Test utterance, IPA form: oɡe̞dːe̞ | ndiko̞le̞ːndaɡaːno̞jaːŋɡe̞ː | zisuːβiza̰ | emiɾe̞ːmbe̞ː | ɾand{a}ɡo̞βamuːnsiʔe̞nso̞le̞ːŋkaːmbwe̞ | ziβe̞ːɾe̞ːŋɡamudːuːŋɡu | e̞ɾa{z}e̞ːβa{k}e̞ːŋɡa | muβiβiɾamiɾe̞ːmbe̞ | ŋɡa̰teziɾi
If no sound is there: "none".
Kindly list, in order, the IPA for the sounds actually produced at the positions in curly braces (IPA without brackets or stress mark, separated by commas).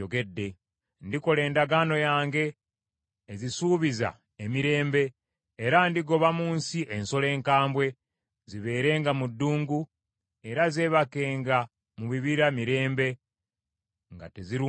i, z, k